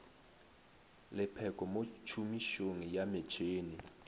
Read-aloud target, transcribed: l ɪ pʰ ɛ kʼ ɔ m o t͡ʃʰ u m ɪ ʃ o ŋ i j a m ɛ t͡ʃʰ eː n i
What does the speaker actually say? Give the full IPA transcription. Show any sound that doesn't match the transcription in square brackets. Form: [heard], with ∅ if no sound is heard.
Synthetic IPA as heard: l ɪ pʰ ɛ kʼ ɔ m o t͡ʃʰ u m [i] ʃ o ŋ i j a m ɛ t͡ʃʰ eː n i